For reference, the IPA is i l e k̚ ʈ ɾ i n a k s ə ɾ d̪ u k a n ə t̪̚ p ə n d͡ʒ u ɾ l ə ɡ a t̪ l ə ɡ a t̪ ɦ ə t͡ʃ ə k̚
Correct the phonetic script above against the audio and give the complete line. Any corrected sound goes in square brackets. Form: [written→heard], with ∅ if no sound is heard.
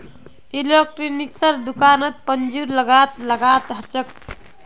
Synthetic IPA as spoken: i l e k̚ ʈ ɾ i n [a→i] k s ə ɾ d̪ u k a n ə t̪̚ p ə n d͡ʒ u ɾ l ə ɡ a t̪ l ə ɡ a t̪ ɦ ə t͡ʃ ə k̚